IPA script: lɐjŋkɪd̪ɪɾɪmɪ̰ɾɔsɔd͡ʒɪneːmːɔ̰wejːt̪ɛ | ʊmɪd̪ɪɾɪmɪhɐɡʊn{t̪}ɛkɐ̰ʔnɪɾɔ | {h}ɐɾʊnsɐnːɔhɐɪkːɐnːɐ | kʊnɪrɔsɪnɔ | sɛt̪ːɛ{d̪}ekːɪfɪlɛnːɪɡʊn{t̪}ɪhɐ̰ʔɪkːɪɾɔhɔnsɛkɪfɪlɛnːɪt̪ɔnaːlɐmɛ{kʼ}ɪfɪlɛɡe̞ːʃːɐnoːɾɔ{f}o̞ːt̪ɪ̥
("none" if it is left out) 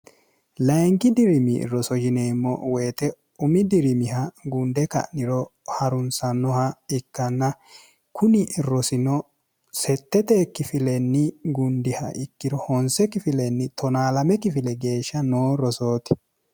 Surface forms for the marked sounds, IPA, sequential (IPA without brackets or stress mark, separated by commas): d̪, h, t̪, d̪, k, s